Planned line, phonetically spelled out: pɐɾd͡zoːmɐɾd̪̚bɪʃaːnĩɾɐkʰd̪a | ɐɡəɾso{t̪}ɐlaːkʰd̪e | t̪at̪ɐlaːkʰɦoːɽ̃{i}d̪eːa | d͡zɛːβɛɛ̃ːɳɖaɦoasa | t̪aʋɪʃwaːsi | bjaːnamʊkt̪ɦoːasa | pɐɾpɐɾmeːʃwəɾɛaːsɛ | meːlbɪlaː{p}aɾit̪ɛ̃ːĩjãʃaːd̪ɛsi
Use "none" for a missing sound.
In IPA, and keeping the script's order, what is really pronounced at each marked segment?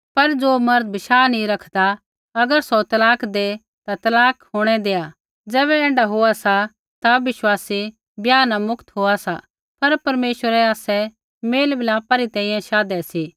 t̪, ɛ, p

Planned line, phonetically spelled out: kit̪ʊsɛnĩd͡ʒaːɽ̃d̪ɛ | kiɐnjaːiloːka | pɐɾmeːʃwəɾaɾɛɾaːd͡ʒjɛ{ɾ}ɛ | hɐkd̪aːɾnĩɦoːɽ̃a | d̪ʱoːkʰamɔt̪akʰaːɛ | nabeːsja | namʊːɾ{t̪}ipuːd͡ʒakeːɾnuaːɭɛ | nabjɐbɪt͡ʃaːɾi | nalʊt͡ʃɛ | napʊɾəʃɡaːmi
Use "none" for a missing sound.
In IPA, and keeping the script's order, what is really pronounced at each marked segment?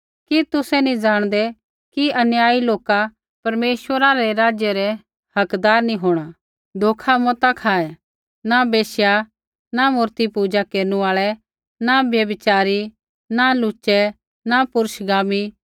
ɾ, t̪

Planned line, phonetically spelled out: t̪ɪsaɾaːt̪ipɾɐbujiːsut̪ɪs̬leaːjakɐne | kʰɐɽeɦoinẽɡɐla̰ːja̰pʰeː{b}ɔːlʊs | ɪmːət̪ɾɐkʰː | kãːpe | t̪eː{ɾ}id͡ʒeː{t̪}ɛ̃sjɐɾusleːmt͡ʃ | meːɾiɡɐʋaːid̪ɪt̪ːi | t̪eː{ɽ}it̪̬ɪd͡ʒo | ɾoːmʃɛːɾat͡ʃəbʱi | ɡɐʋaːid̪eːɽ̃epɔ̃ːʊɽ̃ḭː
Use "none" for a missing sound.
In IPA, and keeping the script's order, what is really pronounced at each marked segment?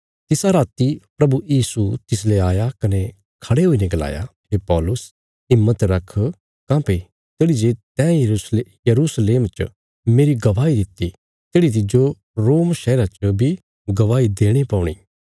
p, ɽ, t̪, ɽ

